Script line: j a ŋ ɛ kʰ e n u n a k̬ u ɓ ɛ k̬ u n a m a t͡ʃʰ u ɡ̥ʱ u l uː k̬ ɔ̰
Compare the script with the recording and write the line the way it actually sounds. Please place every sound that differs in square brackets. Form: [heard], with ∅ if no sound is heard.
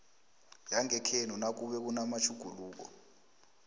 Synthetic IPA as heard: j a ŋ ɛ kʰ e n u n a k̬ u ɓ ɛ k̬ u n a m a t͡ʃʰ u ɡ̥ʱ u l uː k̬ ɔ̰